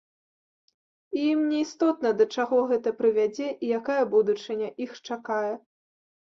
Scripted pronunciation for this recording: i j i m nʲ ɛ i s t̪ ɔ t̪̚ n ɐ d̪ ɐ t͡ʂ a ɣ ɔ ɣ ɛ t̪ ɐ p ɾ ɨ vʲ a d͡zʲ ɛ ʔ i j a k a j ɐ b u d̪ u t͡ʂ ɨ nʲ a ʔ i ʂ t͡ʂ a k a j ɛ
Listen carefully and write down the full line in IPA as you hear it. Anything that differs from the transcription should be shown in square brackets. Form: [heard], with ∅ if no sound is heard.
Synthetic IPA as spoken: i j i m nʲ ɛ i s t̪ ɔ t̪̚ n ɐ d̪ ɐ t͡ʂ a ɣ ɔ ɣ ɛ t̪ ɐ p ɾ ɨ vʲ a d͡zʲ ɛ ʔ i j a k a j ɐ b u d̪ u t͡ʂ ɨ nʲ [ɐ] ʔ i [x] t͡ʂ a k a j ɛ

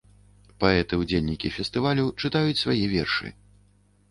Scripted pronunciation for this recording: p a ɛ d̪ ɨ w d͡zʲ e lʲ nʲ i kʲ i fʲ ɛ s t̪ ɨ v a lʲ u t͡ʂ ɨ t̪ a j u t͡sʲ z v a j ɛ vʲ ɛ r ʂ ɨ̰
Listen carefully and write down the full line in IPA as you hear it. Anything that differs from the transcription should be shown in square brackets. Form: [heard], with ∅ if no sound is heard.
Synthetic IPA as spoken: p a ɛ [t̪] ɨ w d͡zʲ e lʲ nʲ i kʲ i fʲ ɛ s t̪ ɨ v a lʲ u t͡ʂ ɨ t̪ a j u t͡sʲ [s] v a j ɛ vʲ ɛ r ʂ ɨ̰

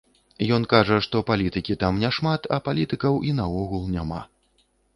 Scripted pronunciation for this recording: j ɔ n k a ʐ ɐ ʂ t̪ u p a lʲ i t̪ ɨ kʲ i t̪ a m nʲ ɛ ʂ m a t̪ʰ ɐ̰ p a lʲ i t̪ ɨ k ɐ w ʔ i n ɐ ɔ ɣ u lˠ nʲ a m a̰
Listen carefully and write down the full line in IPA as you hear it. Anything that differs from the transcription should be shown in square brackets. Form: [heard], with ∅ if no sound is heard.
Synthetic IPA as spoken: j ɔ n k a ʐ ɐ ʂ t̪ [ɔ] p a lʲ i t̪ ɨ kʲ i t̪ a m nʲ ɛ ʂ m a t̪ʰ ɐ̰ p a lʲ i t̪ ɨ k ɐ w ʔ i n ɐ ɔ ɣ u lˠ nʲ a m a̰

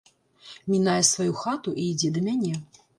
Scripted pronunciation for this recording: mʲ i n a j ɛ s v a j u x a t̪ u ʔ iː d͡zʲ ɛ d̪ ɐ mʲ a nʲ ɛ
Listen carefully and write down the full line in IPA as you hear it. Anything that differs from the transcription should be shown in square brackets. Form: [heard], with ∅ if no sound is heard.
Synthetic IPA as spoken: mʲ i n a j ɛ s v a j u x a t̪ u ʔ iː d͡zʲ ɛ d̪ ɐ mʲ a nʲ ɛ

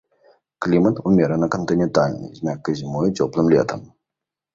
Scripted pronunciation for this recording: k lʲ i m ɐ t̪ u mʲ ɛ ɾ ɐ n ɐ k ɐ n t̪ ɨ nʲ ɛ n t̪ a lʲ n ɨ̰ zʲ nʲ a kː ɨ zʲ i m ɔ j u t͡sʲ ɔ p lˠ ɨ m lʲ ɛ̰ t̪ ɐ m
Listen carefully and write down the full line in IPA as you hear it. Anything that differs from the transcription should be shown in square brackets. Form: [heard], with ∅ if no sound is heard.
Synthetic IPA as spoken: k lʲ i m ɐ t̪ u mʲ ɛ ɾ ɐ n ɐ k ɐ n t̪ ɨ nʲ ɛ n t̪ a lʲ n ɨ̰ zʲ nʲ a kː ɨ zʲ i m ɔ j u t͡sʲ ɔ p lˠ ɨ m lʲ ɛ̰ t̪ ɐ m

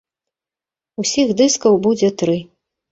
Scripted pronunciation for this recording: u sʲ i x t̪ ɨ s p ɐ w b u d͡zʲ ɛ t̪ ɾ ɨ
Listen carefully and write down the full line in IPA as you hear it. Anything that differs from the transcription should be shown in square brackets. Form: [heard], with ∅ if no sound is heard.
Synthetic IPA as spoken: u sʲ i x [d̪] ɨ s [k] ɐ w b u d͡zʲ ɛ t̪ ɾ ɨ

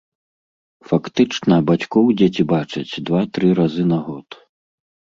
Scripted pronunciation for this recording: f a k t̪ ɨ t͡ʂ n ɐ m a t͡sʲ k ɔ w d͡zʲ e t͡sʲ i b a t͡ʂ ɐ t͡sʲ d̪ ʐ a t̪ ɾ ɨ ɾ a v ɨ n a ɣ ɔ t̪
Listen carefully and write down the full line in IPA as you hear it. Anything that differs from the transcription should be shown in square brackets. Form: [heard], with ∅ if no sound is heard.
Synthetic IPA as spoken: f a k t̪ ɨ t͡ʂ n ɐ [b] a t͡sʲ k ɔ w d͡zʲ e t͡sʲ i b a t͡ʂ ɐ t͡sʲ d̪ [v] a t̪ ɾ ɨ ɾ a [z] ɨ n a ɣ ɔ t̪

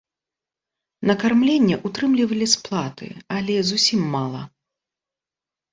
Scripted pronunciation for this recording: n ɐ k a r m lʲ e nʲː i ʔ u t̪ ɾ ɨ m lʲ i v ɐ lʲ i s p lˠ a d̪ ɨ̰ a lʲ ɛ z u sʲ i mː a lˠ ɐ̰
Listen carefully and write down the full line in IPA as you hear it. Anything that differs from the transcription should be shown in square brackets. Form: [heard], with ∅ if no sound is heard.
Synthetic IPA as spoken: n ɐ k a r m lʲ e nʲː [ɛ] ʔ u t̪ ɾ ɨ m lʲ i v ɐ lʲ i s p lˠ a [t̪] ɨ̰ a lʲ ɛ z u sʲ i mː a lˠ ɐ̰

